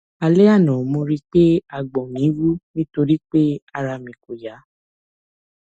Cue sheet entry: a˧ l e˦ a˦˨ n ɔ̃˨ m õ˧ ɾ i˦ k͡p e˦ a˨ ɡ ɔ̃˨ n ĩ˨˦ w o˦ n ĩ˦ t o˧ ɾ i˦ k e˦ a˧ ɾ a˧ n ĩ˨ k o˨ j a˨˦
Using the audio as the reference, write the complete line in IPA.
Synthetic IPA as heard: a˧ l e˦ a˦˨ n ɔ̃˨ m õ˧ ɾ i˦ k͡p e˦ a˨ ɡ͡b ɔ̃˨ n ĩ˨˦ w u˦ n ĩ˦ t o˧ ɾ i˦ k͡p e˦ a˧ ɾ a˧ m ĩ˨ k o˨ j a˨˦